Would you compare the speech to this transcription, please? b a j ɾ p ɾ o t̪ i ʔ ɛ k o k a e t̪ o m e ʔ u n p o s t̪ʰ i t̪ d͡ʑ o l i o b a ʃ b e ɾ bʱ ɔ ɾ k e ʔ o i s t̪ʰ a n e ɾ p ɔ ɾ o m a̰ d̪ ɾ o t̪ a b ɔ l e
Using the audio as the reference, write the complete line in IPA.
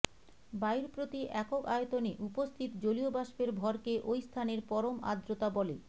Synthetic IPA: b a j ɾ p ɾ o t̪ i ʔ ɛ k o k a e t̪ o n e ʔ u p o s t̪ʰ i t̪ d͡ʑ o l i o b a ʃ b e ɾ bʱ ɔ ɾ k e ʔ o j s t̪ʰ a n e ɾ p ɔ ɾ o m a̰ d̪ ɾ o t̪ a b ɔ l e